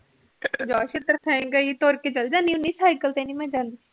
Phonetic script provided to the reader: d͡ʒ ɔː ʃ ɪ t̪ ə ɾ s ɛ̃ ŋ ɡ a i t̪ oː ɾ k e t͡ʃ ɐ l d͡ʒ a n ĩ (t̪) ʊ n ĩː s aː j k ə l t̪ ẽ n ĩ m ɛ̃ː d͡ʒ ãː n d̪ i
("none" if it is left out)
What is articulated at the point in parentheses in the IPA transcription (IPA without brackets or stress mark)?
none